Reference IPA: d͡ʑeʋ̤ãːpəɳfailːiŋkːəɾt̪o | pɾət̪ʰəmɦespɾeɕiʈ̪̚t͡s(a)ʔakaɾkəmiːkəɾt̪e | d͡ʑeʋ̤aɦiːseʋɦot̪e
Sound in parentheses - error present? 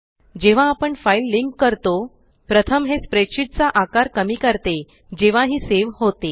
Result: no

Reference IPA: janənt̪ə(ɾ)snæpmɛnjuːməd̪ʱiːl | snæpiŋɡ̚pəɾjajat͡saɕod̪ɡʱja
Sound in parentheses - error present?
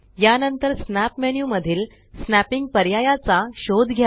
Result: no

